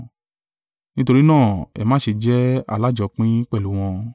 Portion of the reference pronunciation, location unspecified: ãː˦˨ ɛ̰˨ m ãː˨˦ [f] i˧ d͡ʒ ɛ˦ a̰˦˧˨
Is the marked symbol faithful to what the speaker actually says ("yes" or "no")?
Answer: no